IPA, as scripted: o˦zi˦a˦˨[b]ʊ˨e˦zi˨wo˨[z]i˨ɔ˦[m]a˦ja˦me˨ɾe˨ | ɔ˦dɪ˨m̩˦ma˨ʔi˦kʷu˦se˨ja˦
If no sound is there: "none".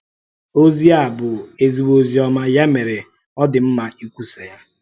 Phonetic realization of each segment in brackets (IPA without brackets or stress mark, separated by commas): b, z, m